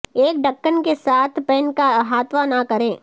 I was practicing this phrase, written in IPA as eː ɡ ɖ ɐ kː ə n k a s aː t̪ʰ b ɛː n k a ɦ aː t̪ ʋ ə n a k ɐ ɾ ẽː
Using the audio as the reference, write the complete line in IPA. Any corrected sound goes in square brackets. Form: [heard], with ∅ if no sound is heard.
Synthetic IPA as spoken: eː [k] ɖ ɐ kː ə n k [e] s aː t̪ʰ [p] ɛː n k a ɦ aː t̪ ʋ [a] n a k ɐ ɾ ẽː